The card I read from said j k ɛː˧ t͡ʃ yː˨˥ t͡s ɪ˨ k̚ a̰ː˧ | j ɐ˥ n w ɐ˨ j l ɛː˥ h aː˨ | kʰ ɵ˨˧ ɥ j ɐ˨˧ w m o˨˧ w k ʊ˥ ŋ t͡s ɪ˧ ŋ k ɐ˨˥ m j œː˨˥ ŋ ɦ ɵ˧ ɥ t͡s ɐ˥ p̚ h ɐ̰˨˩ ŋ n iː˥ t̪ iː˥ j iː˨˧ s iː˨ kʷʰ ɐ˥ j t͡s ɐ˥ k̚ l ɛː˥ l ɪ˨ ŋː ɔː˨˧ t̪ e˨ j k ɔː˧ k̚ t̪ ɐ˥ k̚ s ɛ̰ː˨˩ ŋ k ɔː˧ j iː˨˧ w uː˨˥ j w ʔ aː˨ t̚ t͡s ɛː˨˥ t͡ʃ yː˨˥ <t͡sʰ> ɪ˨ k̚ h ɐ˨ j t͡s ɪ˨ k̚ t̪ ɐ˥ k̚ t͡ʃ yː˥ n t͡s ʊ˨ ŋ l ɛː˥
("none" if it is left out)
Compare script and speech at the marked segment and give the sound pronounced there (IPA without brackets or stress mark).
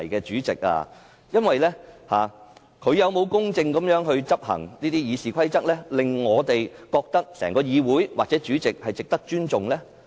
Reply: t͡s